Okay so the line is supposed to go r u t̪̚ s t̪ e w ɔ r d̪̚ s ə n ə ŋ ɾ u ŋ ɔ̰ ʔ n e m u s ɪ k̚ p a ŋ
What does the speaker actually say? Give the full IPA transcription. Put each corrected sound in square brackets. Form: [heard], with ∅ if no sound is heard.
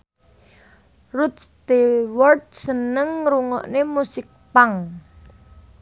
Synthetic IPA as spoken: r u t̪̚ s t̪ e w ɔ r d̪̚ s ə n ə ŋ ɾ u ŋ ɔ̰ ʔ n e m u s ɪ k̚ p a ŋ